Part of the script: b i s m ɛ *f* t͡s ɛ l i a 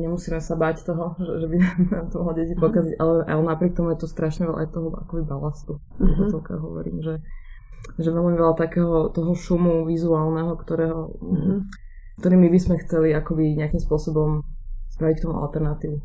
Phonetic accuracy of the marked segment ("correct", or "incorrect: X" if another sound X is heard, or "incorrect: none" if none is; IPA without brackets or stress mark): incorrect: x